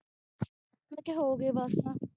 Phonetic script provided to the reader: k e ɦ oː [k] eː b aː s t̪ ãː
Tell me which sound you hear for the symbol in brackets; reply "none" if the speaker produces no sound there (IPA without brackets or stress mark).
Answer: ɡ